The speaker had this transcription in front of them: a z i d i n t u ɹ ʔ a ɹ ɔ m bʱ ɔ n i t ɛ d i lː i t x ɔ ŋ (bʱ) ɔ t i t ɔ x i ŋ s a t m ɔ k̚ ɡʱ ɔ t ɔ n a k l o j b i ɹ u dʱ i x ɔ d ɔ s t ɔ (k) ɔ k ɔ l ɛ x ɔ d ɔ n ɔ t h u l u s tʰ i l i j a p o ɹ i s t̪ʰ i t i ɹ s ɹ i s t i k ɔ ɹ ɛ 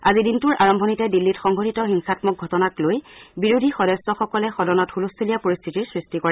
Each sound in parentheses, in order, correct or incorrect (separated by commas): incorrect, incorrect